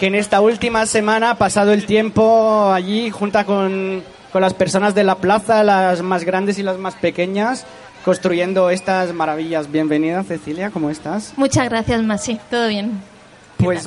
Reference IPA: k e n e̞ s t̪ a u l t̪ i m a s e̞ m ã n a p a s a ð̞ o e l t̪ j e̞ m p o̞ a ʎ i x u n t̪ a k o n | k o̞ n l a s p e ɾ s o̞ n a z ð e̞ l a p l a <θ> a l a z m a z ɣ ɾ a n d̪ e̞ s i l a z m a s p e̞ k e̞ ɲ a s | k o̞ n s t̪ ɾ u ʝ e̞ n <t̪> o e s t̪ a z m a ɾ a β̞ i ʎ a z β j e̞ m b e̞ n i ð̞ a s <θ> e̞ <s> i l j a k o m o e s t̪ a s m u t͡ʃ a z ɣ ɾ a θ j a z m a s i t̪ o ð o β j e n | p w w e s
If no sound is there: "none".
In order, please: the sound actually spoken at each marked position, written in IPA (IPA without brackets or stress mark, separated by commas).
θ, d̪, θ, θ